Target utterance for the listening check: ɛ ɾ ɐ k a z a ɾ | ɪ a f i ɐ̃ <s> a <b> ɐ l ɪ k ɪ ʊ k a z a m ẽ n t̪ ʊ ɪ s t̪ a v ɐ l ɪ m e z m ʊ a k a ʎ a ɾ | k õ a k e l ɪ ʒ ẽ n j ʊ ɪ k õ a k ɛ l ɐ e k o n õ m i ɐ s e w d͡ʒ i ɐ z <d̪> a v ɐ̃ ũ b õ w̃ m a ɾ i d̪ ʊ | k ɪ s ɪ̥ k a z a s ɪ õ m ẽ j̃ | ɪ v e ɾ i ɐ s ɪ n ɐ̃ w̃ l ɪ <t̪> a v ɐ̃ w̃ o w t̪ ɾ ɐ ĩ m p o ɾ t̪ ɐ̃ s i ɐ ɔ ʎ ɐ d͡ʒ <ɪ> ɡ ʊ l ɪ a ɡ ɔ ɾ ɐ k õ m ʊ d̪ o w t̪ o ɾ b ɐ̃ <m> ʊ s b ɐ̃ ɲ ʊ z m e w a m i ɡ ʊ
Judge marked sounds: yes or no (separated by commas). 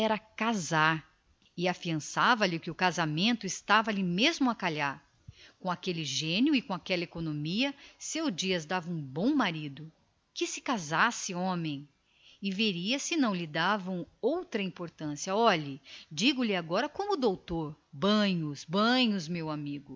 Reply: yes, no, yes, no, no, no